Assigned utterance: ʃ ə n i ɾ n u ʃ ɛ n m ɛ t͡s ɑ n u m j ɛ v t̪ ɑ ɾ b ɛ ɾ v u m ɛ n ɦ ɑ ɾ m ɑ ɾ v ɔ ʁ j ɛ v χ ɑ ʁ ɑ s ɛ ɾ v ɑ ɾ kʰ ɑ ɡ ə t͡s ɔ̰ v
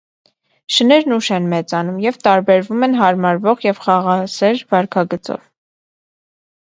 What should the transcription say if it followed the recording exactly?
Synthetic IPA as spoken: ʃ ə n ɛ ɾ n u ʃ ɛ n m ɛ t͡s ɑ n u m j ɛ v t̪ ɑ ɾ b ɛ ɾ v u m ɛ n ɦ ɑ ɾ m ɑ ɾ v ɔ ʁ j ɛ v χ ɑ ʁ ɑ s ɛ ɾ v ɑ ɾ kʰ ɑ ɡ ə t͡s ɔ̰ v

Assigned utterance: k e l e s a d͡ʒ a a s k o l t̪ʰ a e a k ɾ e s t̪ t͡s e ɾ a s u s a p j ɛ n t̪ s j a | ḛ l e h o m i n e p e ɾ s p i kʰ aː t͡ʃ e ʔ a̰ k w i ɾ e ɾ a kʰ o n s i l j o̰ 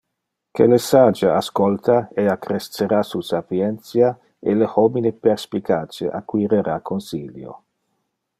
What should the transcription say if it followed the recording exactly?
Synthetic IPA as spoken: k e l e s a d͡ʒ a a s k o l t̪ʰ a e a k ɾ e s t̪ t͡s e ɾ a s u s a p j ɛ n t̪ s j a | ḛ l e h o m i n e p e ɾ s p i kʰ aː t͡ʃ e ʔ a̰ k w i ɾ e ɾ a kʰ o n s i l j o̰

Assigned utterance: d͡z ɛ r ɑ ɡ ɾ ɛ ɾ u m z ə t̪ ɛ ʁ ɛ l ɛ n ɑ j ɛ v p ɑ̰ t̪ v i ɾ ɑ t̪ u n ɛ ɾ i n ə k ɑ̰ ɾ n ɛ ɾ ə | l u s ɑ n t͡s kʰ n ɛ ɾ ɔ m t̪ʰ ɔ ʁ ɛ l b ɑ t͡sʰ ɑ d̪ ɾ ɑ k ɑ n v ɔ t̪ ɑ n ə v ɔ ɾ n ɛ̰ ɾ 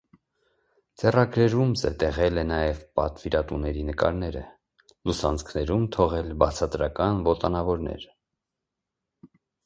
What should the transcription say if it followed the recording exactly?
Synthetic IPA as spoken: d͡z ɛ r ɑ ɡ ɾ ɛ ɾ u m z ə t̪ ɛ ʁ ɛ l ɛ n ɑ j ɛ v p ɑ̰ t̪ v i ɾ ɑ t̪ u n ɛ ɾ i n ə k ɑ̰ ɾ n ɛ ɾ ə | l u s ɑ n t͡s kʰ n ɛ ɾ u m t̪ʰ ɔ ʁ ɛ l b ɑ t͡sʰ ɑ t̪ ɾ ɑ k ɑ n v ɔ t̪ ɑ n ɑ v ɔ ɾ n ɛ̰ ɾ

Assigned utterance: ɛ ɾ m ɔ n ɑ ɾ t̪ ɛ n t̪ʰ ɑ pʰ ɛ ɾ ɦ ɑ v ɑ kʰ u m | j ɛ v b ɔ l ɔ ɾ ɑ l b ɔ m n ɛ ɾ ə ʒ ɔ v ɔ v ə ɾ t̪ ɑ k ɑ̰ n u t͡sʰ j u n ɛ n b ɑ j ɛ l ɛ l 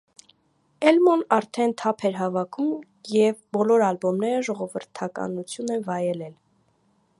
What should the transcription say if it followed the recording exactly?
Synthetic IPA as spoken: ɛ l m ɔ n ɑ ɾ t̪ʰ ɛ n t̪ʰ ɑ pʰ ɛ ɾ ɦ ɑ v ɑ kʰ u m | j ɛ v b ɔ l ɔ ɾ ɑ l b ɔ m n ɛ ɾ ə ʒ ɔ ʁ ɔ v ə ɾ t̪ʰ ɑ k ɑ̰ n u t͡sʰ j u n ɛ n v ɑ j ɛ l ɛ l

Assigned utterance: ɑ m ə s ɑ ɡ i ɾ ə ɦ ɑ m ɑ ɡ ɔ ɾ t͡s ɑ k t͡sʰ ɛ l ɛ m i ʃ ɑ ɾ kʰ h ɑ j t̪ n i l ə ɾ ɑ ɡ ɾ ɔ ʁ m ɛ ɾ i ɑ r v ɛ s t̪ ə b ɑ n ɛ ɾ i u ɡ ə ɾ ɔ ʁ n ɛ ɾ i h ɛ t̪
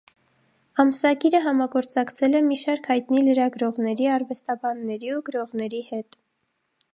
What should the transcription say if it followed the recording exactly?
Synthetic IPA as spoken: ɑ m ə s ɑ ɡ i ɾ ə ɦ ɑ m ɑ ɡ ɔ ɾ t͡s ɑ k t͡sʰ ɛ l ɛ m i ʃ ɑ ɾ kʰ h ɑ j t̪ n i l ə ɾ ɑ ɡ ɾ ɔ ʁ n ɛ ɾ i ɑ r v ɛ s t̪ ɑ b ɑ nː ɛ ɾ i u ɡ ə ɾ ɔ ʁ n ɛ ɾ i h ɛ t̪

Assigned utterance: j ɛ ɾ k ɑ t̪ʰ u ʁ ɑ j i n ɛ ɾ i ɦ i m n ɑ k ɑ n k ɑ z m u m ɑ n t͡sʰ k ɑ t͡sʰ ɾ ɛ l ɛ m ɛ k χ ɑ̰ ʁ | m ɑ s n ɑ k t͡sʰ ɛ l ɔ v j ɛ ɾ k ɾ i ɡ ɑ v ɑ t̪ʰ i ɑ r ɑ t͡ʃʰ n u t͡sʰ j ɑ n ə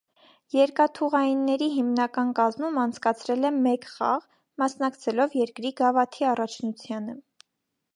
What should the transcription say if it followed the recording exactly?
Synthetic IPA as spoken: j ɛ ɾ k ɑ t̪ʰ u ʁ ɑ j i nː ɛ ɾ i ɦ i m n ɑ k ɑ n k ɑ z m u m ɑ n t͡sʰ k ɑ t͡sʰ ɾ ɛ l ɛ m ɛ k χ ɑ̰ ʁ | m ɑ s n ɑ k t͡sʰ ɛ l ɔ v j ɛ ɾ k ɾ i ɡ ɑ v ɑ t̪ʰ i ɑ r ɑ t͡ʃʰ n u t͡sʰ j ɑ n ə

